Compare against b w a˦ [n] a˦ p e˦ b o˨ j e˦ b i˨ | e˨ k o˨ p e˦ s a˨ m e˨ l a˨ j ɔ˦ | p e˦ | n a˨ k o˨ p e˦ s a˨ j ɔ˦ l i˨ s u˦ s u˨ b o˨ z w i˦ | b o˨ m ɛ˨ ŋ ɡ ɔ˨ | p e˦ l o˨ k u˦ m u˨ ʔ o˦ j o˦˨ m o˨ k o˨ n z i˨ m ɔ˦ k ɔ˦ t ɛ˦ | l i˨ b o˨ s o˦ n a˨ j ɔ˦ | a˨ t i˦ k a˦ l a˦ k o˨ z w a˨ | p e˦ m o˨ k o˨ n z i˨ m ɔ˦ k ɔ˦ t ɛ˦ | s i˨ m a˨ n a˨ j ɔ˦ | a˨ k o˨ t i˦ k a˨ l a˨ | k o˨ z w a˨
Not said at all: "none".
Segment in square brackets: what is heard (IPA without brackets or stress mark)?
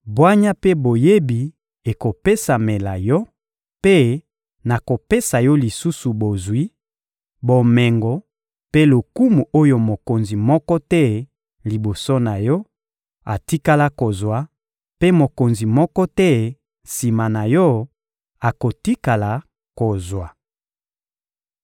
ɲ